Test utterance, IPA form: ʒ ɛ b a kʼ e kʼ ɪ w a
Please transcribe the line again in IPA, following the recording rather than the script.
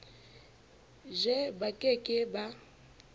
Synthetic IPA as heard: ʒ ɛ b a kʼ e kʼ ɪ b a